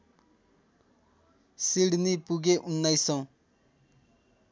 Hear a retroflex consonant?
yes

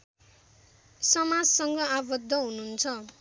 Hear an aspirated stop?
yes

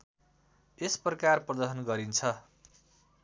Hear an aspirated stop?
yes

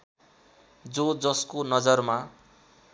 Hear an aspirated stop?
no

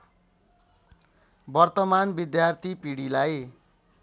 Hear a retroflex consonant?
yes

